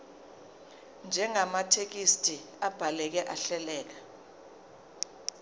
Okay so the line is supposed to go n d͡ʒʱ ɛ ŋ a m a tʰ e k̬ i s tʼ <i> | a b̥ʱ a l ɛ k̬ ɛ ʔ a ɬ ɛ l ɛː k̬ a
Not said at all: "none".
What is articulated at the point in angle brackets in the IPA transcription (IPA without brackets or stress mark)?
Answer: i